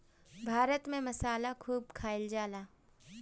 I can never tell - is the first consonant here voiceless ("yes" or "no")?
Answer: no